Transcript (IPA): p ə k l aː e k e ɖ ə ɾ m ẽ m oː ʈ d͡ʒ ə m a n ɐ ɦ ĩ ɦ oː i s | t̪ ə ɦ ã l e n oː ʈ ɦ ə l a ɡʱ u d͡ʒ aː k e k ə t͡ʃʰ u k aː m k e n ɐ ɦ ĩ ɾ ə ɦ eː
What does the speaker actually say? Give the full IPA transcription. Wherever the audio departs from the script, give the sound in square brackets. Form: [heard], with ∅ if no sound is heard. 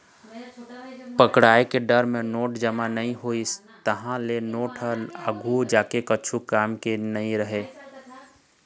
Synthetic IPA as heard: p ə k [ɽ] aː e k e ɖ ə ɾ m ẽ [n] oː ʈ d͡ʒ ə m a n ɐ ɦ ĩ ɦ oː i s | t̪ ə ɦ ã l e n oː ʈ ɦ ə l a ɡʱ u d͡ʒ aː k e k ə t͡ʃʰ u k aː m k e n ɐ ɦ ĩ ɾ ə ɦ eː